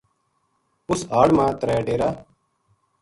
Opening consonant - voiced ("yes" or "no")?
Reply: no